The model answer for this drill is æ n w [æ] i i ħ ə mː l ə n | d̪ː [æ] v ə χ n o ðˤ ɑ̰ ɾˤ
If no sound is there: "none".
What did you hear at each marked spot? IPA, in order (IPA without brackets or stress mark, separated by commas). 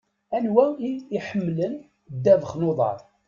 æ, æ